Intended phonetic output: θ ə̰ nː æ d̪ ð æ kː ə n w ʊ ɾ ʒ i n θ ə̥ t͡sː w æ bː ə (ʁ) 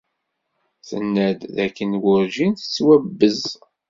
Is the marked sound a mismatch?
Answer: yes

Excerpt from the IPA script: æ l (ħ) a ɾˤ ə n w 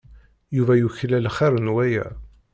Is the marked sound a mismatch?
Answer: yes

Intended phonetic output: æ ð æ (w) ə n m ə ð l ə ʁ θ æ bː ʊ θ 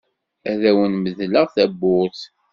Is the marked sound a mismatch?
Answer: no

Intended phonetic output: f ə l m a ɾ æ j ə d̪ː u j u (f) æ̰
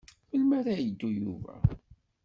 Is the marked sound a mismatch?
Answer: yes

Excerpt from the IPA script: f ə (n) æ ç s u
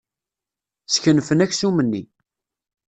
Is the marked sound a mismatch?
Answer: no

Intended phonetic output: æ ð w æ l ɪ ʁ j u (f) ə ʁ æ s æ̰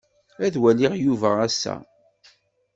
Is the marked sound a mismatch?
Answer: yes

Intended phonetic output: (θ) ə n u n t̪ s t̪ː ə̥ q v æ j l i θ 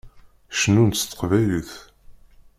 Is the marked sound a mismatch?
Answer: yes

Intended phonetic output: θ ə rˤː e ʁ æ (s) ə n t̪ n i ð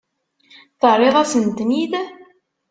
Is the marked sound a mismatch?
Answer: no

